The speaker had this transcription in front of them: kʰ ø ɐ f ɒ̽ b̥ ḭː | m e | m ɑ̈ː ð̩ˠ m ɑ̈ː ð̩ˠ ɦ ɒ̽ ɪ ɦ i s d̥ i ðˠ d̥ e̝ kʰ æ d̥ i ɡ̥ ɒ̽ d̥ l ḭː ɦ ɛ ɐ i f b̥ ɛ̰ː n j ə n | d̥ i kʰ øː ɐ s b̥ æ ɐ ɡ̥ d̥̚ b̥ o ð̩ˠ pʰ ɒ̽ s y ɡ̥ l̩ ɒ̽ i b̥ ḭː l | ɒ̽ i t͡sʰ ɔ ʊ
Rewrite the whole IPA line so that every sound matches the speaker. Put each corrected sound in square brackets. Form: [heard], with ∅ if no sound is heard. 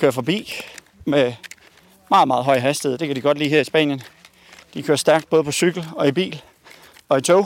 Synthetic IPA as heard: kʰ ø ɐ f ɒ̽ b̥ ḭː | m e | m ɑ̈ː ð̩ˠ m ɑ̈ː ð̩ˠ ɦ ɒ̽ ɪ ɦ [æ] s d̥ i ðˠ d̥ e̝ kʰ æ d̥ i ɡ̥ ɒ̽ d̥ l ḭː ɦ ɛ ɐ i [s] b̥ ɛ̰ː n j ə n | d̥ i kʰ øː ɐ s [d̥] æ ɐ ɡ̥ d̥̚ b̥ [ɔ] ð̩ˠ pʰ ɒ̽ s y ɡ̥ l̩ ɒ̽ i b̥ ḭː l | ɒ̽ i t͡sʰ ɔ ʊ